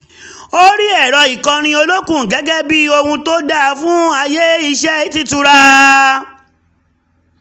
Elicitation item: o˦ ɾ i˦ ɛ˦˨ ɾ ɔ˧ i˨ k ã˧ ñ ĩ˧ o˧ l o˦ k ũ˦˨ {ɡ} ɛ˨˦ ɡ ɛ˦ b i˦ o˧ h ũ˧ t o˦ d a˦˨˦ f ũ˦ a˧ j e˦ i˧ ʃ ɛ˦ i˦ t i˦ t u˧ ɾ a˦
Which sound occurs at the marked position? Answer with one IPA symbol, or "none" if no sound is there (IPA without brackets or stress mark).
ɡ